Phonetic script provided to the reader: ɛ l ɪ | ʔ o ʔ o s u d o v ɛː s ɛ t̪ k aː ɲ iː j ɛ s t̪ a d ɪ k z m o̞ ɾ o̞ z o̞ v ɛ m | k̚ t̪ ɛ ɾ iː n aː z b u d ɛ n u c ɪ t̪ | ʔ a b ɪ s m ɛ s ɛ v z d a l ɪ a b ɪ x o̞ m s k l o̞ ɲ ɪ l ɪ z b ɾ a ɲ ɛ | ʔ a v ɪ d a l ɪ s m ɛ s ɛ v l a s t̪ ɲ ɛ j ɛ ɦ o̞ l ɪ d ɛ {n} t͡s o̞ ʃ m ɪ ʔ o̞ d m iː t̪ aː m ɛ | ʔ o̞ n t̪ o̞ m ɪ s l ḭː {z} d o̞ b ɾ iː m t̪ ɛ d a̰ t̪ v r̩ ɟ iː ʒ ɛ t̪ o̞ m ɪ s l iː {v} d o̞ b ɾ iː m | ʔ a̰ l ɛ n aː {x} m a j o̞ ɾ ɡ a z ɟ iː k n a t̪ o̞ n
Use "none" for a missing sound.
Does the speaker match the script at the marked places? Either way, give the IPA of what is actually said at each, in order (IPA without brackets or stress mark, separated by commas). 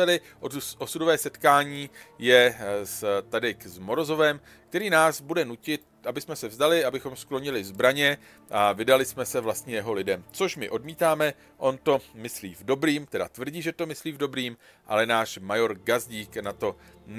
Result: m, v, v, ʃ